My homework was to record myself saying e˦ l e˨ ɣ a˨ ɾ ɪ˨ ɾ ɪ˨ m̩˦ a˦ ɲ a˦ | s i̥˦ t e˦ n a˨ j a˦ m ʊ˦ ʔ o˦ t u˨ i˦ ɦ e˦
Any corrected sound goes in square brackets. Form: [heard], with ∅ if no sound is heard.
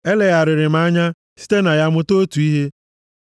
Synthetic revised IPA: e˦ l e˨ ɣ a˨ ɾ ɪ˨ ɾ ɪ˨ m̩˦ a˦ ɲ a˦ | s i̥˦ t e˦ n a˨ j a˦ m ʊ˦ [t] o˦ t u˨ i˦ ɦ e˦